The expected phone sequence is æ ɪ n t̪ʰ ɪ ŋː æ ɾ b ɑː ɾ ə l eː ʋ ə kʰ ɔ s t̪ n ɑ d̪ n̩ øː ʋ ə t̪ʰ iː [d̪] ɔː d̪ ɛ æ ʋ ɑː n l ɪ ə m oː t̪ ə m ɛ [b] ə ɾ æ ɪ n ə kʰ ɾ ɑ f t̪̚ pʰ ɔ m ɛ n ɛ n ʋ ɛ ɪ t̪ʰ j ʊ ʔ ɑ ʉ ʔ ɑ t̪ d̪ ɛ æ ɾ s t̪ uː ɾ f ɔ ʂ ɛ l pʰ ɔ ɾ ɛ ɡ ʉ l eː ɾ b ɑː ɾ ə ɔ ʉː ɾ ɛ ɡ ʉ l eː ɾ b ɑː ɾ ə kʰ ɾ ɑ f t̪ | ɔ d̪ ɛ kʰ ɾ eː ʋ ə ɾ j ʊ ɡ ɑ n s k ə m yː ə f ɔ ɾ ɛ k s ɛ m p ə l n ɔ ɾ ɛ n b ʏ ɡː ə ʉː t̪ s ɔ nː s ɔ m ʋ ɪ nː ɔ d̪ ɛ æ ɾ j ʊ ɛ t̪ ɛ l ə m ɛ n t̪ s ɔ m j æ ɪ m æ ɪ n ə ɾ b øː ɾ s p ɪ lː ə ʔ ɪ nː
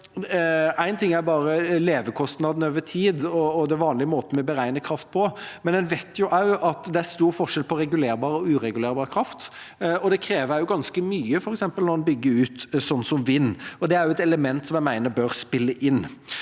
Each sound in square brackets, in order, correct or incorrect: correct, correct

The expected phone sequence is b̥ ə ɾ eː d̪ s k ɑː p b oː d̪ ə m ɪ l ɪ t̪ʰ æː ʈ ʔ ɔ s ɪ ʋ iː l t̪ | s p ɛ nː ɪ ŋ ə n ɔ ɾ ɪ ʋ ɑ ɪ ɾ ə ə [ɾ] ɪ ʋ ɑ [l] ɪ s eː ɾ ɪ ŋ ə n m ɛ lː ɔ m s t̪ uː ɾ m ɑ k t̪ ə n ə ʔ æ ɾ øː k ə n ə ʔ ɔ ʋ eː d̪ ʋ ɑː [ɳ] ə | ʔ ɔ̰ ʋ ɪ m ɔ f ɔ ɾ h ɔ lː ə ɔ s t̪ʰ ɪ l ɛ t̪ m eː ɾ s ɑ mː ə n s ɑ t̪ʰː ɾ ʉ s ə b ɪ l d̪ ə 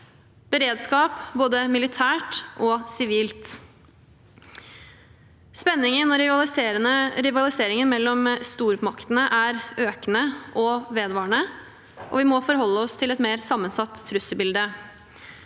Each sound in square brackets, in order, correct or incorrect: correct, correct, correct

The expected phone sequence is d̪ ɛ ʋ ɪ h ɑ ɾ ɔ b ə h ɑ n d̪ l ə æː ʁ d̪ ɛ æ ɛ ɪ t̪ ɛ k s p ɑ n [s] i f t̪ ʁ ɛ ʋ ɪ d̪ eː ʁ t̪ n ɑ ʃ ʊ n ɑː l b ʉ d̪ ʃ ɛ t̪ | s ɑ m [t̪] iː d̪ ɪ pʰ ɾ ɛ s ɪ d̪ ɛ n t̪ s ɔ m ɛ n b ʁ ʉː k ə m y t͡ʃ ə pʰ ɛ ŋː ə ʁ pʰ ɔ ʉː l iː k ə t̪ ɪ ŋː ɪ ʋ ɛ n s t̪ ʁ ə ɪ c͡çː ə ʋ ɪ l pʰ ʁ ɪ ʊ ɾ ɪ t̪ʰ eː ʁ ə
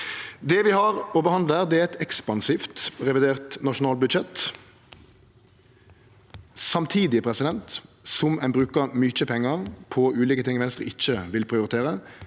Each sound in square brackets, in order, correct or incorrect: correct, incorrect

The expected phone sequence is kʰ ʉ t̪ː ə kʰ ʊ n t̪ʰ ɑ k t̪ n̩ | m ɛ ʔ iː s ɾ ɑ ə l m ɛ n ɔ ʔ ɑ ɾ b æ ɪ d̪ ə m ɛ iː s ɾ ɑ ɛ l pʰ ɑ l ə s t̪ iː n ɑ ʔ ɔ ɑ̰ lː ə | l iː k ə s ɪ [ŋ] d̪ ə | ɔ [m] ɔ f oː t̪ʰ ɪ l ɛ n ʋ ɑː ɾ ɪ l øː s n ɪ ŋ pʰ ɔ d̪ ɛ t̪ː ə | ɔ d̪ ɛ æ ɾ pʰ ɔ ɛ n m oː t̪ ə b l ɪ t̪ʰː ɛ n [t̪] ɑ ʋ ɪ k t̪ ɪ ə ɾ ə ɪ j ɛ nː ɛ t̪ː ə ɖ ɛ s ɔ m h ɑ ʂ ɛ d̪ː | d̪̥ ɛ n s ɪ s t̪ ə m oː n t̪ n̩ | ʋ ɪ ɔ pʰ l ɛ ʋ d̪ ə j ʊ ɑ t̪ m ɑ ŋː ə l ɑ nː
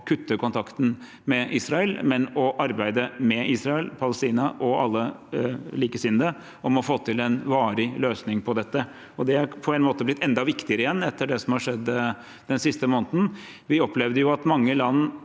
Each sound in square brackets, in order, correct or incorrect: incorrect, correct, incorrect

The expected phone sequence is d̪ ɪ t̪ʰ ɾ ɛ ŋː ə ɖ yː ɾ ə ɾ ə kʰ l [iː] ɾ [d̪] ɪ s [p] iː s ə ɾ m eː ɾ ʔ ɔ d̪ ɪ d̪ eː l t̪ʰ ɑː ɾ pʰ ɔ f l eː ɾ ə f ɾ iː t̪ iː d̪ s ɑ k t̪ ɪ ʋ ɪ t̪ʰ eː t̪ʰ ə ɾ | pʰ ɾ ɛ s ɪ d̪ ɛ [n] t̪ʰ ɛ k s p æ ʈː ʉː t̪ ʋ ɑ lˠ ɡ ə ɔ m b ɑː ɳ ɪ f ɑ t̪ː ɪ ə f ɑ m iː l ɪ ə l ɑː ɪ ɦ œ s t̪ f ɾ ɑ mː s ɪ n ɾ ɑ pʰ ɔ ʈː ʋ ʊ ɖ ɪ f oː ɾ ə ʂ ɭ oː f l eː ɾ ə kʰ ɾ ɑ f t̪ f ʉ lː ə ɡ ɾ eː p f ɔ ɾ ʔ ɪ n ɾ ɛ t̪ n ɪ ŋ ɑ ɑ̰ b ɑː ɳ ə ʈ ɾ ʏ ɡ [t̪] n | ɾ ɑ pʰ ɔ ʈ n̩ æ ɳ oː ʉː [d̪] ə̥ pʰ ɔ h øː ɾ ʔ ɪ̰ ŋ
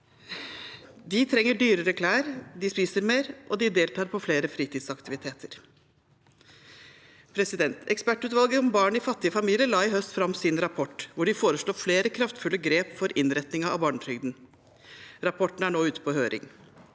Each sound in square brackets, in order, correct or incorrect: incorrect, correct, correct, correct, incorrect, incorrect

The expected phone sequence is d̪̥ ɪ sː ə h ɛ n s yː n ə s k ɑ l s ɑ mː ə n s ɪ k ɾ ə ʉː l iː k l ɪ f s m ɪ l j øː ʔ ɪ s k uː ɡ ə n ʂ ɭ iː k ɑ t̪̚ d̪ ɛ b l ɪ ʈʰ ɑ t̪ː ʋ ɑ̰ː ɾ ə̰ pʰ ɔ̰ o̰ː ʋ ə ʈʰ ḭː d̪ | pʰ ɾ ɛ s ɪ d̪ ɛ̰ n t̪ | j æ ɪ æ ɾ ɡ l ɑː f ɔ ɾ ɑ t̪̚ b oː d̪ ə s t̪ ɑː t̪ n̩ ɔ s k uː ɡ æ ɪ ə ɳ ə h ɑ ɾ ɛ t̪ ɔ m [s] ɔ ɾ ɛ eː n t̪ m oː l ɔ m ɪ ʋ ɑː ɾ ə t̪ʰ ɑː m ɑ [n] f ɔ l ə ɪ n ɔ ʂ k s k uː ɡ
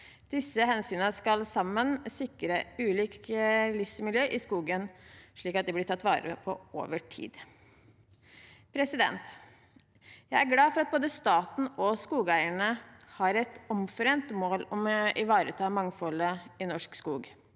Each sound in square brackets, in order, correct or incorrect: incorrect, incorrect

